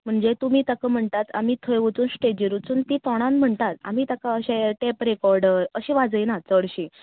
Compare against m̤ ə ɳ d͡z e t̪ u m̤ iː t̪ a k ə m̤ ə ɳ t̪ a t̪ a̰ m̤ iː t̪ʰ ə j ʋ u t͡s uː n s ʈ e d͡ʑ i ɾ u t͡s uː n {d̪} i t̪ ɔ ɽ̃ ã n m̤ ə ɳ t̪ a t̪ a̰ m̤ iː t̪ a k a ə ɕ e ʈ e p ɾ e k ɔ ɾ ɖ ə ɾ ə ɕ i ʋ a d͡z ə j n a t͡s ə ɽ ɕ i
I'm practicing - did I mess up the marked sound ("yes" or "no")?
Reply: yes